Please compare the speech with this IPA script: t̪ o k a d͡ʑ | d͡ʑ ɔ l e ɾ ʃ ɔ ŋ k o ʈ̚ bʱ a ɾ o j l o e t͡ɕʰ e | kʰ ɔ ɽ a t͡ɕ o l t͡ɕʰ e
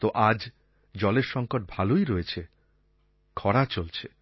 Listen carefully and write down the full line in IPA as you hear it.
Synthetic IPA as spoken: t̪ o ʔ a d͡ʑ | d͡ʑ ɔ l e ɾ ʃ ɔ ŋ k o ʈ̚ bʱ a l o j ɾ o e t͡ɕʰ e | kʰ ɔ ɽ a t͡ɕ o l t͡ɕʰ e